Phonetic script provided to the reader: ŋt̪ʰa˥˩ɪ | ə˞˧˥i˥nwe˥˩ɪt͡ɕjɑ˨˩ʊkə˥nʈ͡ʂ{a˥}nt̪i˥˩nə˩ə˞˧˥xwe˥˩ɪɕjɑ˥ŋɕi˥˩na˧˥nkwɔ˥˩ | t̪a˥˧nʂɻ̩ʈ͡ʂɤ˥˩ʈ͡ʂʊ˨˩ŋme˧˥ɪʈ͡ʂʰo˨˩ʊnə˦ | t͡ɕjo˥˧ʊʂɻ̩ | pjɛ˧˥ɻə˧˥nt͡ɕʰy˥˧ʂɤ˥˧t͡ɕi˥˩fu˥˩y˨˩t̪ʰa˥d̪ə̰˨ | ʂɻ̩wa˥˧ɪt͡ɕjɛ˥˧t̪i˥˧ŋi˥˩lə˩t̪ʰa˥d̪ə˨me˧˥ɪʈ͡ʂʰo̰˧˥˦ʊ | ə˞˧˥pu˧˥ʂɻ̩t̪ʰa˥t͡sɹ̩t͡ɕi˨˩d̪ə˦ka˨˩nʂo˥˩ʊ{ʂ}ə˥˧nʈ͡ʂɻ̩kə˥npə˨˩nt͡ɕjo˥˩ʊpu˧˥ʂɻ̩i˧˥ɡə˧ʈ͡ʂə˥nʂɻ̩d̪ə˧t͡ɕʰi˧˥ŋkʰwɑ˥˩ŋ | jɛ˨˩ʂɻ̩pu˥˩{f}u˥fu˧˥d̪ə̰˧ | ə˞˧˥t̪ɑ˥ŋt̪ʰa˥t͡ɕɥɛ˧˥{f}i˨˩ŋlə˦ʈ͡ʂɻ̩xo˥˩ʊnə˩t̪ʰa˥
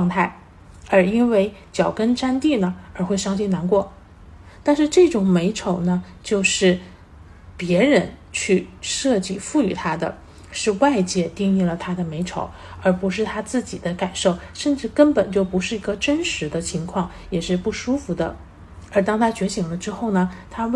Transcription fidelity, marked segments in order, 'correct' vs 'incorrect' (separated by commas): correct, correct, incorrect, incorrect